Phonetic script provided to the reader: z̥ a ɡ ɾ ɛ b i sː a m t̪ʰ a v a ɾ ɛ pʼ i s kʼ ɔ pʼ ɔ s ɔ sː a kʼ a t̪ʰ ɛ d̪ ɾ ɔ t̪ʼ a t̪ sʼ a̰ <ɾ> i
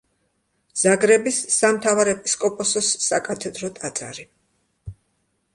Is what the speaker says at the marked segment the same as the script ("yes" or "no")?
yes